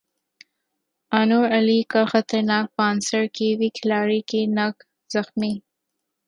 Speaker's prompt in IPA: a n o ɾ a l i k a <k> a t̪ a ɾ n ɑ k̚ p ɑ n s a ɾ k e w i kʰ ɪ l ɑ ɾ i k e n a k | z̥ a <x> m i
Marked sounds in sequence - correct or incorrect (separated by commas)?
incorrect, correct